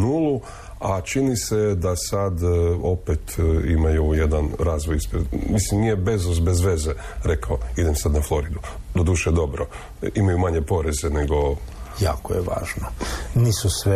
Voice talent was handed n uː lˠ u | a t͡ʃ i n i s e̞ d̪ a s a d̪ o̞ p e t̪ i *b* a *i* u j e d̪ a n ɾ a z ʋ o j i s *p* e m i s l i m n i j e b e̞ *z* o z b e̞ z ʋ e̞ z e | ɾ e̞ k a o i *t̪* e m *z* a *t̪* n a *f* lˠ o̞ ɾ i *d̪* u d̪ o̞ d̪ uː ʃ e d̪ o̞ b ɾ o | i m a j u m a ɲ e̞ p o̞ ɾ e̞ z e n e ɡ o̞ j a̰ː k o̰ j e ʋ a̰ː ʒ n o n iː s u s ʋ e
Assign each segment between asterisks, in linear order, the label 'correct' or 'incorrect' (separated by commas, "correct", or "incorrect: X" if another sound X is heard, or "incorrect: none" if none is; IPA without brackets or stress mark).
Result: incorrect: m, incorrect: j, correct, correct, incorrect: d̪, incorrect: s, incorrect: d̪, correct, correct